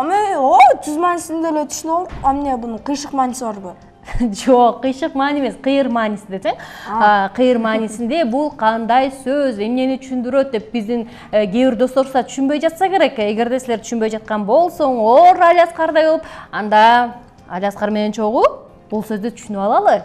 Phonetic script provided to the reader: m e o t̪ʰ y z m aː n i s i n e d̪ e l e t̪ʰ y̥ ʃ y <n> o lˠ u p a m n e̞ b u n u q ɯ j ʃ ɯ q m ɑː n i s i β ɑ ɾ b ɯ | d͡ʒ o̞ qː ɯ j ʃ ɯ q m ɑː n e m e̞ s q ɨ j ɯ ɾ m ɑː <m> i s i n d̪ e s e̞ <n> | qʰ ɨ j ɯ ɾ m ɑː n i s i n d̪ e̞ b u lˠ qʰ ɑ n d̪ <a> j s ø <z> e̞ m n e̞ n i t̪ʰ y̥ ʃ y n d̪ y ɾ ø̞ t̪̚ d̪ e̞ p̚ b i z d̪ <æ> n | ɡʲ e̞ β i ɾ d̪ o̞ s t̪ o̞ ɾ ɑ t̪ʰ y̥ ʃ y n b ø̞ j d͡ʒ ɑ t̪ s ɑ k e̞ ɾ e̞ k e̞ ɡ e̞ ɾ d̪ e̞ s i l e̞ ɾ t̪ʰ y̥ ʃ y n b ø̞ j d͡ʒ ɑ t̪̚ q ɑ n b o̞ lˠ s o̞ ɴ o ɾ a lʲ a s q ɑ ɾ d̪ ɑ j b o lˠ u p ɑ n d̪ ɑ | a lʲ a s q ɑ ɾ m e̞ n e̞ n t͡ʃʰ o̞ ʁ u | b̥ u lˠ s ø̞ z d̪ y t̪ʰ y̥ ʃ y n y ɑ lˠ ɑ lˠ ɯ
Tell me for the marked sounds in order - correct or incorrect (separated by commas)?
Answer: correct, incorrect, incorrect, incorrect, correct, incorrect